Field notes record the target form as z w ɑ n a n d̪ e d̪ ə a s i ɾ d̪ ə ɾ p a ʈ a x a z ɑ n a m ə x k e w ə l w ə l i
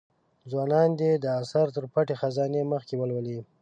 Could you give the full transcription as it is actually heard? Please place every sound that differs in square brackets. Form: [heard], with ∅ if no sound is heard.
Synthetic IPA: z w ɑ n [ɑ] n d̪ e d̪ ə a s [a] ɾ [t̪] ə ɾ p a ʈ [e] x a z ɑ n [e] m ə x k e w ə l w ə l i

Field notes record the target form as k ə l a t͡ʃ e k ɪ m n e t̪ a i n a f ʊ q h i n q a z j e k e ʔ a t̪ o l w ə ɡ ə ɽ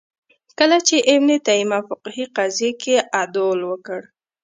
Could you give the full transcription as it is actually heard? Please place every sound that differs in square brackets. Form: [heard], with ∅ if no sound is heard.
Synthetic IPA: k ə l a t͡ʃ e [ʔ] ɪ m n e t̪ a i [m] a f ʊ q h i [∅] q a z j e k e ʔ a [d̪] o l w ə [k] ə ɽ

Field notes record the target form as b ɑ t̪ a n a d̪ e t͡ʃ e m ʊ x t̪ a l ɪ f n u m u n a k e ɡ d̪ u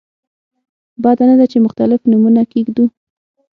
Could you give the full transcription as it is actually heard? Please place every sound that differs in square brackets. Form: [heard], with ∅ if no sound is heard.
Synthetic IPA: b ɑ [d̪] a n a d̪ [a] t͡ʃ e m ʊ x t̪ a l ɪ f n u m u n a k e ɡ d̪ u

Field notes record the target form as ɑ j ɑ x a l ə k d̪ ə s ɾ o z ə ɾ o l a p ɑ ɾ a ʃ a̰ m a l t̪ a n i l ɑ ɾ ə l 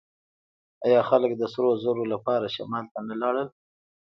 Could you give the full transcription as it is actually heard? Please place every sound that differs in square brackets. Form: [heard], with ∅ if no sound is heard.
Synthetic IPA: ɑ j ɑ x a l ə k d̪ ə s ɾ o z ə ɾ o l a p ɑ ɾ a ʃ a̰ m [ɑ] l t̪ a n [a] l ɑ [ɽ] ə l

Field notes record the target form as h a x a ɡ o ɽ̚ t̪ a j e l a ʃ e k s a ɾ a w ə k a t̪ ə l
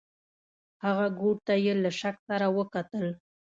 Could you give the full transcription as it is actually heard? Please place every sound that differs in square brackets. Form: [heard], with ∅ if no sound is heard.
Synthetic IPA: h a [ɣ] a ɡ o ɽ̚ t̪ a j e l a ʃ [a] k s a ɾ a w ə k a t̪ ə l

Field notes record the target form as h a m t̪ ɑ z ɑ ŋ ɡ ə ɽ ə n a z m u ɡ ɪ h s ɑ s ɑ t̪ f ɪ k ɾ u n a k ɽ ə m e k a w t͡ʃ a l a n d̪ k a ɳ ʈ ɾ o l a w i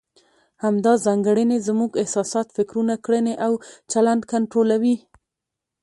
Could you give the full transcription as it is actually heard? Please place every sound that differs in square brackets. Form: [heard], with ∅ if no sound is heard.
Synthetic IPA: h a m [d̪] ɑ z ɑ ŋ ɡ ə ɽ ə n [e] z m u ɡ ɪ h s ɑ s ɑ t̪ f ɪ k ɾ u n a k ɽ ə [n] e [ʔ] a w t͡ʃ a l a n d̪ k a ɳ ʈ ɾ o l a w i

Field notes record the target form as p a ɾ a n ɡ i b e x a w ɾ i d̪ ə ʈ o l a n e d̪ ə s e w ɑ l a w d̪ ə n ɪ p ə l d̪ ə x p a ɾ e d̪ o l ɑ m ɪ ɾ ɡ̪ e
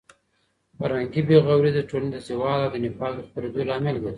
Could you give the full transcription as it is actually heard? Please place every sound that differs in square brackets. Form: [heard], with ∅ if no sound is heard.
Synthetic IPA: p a ɾ a [ŋ] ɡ i b e [ɣ] a w ɾ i d̪ ə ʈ o l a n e d̪ ə s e w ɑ l a w d̪ ə n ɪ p [ɑ] l d̪ ə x p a ɾ e d̪ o l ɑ m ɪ [l] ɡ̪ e

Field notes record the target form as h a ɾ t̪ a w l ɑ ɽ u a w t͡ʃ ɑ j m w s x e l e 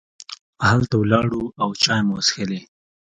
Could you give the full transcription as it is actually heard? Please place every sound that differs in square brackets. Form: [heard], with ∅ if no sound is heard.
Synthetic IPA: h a [l] t̪ a w l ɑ ɽ u a w t͡ʃ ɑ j m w s x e l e

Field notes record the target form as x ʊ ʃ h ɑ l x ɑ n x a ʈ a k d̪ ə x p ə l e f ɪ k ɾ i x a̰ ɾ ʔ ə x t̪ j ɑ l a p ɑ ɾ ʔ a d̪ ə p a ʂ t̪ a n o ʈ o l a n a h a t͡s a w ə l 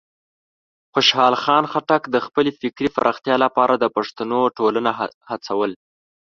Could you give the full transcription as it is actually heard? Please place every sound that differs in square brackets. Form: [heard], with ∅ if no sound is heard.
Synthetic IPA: x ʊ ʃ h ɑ l x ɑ n x a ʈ a k d̪ ə x p ə l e f ɪ k ɾ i [f] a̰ ɾ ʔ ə x t̪ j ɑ l a p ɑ ɾ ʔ a d̪ ə p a ʂ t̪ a n o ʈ o l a n a h a t͡s a w ə l

